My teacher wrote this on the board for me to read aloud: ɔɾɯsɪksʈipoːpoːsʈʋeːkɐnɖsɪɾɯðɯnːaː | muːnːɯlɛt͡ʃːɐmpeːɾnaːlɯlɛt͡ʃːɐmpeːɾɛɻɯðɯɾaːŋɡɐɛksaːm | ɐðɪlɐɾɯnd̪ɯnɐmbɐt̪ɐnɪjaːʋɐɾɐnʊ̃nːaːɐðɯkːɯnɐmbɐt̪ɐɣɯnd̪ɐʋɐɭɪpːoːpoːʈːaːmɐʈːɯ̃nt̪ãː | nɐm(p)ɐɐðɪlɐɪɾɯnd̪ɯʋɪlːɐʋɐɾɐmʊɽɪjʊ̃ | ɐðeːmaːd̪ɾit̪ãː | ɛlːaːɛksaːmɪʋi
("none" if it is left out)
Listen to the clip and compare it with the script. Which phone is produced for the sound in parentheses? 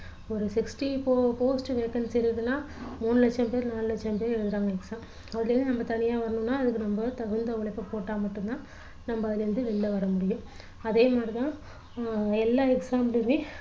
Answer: b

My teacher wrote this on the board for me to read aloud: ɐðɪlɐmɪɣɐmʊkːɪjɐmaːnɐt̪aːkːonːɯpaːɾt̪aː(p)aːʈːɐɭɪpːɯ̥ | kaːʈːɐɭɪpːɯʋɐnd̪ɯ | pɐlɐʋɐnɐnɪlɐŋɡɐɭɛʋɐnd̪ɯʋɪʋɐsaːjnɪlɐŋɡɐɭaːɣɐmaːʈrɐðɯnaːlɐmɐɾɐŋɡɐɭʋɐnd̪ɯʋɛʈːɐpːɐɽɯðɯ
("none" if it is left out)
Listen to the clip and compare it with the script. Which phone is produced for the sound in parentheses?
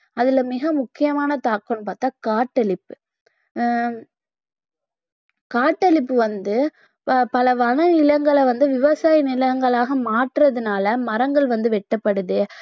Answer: k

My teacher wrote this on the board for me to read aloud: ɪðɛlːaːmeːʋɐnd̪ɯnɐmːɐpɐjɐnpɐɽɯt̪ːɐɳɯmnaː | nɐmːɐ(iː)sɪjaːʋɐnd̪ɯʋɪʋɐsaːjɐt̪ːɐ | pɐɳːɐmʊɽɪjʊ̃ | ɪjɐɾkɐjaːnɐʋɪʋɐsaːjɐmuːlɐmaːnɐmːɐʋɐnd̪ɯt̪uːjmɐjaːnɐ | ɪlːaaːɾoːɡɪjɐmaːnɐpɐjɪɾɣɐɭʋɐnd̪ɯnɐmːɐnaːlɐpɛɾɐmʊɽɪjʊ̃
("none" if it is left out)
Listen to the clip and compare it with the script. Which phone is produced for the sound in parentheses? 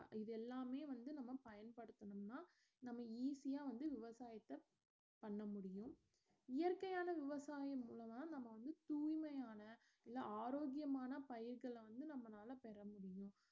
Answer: iː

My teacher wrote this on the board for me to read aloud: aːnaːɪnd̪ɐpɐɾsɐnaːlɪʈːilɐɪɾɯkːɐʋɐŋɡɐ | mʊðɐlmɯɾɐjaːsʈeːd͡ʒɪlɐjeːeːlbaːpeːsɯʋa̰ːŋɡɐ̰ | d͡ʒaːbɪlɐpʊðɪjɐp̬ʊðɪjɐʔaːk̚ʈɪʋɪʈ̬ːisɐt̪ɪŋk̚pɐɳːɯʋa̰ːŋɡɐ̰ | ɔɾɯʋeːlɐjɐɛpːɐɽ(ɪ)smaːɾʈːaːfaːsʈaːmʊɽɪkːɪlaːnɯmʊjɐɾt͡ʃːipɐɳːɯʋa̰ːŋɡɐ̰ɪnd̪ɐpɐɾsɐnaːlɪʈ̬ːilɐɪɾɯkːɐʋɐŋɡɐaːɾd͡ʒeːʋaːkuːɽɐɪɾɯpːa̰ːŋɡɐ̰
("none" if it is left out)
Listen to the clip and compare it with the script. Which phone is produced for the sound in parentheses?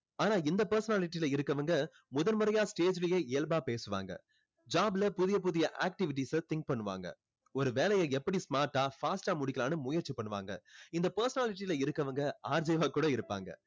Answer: i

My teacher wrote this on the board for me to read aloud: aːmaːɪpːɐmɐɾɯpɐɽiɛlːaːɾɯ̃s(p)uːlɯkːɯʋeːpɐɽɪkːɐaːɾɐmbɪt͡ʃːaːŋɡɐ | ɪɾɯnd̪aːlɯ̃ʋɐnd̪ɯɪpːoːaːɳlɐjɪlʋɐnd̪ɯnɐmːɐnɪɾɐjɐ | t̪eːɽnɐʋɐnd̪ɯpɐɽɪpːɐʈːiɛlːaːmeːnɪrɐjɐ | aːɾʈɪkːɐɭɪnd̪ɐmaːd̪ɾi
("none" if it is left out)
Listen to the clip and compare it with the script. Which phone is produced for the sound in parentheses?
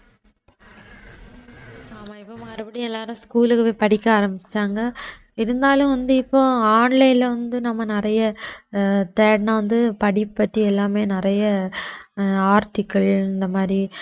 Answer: k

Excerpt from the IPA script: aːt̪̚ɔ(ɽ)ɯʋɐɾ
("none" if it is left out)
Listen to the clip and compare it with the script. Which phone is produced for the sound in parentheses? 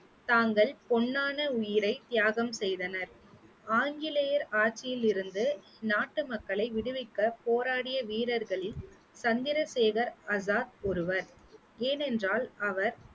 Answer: ɾ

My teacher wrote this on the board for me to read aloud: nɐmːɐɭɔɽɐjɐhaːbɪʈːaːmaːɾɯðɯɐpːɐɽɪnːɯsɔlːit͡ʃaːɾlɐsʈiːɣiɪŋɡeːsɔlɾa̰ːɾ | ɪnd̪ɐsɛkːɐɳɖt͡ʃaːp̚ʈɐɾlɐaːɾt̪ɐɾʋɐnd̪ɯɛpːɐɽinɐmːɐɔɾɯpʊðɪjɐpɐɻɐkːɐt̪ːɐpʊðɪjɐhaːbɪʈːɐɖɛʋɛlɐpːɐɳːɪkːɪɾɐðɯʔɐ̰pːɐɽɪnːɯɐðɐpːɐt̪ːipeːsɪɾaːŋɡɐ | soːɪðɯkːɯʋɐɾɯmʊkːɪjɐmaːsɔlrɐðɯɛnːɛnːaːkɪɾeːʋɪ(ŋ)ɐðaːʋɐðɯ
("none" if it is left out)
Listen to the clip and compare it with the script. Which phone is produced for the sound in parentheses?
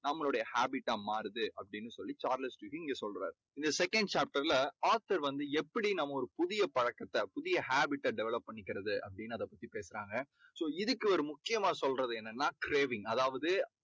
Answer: ŋ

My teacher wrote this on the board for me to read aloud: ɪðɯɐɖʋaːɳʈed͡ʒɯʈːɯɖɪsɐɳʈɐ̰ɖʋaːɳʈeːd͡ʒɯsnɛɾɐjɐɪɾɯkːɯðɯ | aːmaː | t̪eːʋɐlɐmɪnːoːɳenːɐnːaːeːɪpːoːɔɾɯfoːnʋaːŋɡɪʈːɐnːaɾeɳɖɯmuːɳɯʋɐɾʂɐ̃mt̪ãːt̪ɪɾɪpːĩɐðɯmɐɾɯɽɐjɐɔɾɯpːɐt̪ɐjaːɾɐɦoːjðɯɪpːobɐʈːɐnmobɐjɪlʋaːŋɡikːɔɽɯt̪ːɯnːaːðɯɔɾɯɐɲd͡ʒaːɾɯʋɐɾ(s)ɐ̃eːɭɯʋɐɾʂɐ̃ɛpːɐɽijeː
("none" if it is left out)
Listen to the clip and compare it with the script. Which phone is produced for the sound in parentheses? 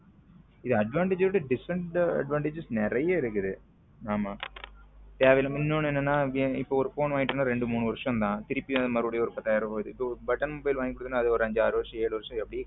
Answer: ʂ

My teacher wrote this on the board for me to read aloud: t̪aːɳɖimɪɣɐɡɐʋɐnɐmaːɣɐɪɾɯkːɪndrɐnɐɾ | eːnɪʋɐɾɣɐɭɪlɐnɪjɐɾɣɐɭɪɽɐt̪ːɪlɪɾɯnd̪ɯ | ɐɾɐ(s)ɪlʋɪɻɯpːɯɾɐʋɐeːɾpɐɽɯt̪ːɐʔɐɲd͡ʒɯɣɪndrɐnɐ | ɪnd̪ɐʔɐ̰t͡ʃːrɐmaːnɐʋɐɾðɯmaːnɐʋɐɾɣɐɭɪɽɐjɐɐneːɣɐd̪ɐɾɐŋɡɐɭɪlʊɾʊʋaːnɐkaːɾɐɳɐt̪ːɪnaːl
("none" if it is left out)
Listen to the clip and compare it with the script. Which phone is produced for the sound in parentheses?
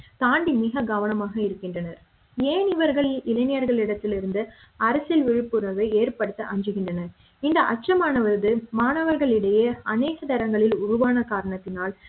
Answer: s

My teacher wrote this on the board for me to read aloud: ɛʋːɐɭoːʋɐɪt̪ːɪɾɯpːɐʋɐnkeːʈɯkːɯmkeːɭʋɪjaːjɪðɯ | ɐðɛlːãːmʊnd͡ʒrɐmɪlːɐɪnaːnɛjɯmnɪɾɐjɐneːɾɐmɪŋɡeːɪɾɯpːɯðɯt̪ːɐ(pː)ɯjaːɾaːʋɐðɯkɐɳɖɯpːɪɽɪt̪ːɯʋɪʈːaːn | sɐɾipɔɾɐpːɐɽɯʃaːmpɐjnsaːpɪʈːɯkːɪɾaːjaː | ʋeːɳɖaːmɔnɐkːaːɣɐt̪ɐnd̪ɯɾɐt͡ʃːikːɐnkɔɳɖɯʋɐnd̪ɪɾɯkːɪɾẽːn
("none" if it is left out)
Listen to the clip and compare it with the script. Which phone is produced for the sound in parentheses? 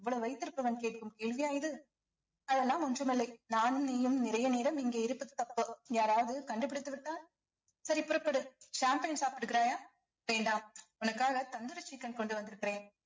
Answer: pː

